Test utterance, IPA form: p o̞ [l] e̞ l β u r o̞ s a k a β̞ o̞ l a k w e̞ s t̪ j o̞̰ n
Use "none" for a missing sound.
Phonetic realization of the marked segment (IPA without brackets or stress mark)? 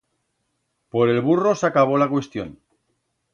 ɾ